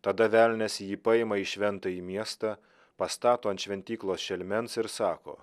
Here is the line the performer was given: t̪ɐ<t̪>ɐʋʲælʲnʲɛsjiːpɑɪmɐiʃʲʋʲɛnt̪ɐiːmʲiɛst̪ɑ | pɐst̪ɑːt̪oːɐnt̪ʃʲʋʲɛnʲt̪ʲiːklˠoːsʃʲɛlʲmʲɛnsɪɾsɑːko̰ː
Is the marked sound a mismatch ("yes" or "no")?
yes